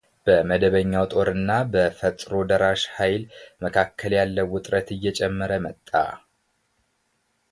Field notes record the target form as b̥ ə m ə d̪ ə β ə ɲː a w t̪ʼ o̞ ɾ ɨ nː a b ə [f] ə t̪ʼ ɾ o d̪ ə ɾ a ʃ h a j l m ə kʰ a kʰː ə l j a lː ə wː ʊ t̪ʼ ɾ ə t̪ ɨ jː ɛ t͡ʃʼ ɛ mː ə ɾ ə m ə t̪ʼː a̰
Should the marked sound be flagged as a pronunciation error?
no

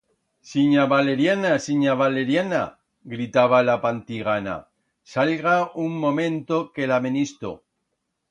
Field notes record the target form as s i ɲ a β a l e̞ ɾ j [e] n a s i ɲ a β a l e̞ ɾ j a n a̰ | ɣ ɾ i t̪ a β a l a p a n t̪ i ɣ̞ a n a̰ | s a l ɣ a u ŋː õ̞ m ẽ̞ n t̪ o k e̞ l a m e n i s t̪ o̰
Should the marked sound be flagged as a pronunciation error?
yes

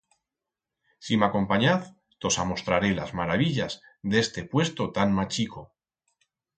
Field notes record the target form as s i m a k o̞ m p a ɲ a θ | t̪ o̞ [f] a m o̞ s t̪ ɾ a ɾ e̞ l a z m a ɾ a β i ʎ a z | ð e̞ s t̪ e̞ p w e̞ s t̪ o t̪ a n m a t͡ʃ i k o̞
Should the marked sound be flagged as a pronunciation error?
yes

